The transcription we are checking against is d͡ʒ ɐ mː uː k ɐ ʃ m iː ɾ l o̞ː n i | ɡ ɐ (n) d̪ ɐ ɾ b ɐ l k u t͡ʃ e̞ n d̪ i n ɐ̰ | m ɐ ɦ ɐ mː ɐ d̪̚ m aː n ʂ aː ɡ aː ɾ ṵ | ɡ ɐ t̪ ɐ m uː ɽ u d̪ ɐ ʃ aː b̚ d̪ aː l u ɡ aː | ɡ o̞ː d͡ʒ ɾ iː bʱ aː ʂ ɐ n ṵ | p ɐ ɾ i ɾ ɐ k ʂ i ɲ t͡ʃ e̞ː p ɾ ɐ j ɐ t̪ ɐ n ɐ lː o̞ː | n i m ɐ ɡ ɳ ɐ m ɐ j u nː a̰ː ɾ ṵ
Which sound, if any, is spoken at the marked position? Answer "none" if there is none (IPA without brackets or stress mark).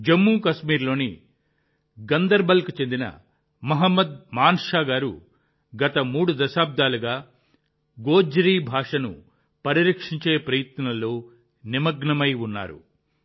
n